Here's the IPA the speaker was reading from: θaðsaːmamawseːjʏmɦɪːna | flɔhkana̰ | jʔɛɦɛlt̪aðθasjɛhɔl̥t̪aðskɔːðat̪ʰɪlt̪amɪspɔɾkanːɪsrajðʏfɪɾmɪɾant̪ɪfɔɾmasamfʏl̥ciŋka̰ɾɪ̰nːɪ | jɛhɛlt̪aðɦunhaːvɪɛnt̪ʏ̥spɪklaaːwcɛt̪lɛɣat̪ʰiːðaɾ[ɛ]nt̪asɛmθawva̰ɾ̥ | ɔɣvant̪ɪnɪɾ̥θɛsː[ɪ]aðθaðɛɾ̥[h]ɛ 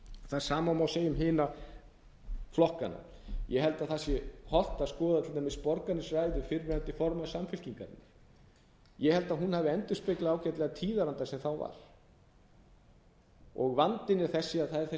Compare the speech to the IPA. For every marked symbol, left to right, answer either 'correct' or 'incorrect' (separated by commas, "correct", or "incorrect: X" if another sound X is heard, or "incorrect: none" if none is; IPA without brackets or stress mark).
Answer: incorrect: a, correct, incorrect: θ